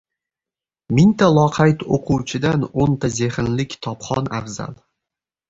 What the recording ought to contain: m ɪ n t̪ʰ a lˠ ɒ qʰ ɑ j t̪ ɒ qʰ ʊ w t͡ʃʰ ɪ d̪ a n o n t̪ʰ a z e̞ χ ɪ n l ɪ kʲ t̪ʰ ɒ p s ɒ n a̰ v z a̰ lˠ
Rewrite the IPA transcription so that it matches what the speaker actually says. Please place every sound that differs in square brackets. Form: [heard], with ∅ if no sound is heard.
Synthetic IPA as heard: m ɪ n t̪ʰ a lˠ ɒ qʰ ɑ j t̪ [o] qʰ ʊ w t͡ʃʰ ɪ d̪ a n o n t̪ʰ a z e̞ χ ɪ n l ɪ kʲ t̪ʰ ɒ p [χ] ɒ n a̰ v z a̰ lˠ